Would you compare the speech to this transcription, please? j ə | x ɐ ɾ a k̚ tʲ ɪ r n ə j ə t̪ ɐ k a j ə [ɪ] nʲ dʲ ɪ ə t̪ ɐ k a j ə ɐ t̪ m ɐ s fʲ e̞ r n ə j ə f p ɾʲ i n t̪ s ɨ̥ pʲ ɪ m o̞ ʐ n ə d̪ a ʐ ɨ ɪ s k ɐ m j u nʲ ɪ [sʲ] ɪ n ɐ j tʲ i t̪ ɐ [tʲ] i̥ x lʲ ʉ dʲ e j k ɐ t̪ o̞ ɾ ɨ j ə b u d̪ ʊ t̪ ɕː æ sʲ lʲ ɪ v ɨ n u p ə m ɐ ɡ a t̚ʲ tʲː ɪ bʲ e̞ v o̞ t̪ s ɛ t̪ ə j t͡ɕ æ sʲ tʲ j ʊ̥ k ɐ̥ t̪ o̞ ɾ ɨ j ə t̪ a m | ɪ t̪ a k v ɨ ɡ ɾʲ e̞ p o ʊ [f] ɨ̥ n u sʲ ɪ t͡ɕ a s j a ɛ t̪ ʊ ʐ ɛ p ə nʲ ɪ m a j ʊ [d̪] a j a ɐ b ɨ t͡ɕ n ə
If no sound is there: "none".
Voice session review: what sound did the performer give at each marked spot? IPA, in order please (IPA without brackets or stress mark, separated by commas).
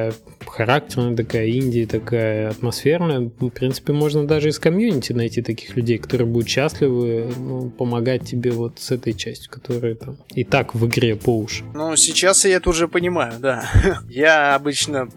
i, tʲ, kʲ, ʂ, d̪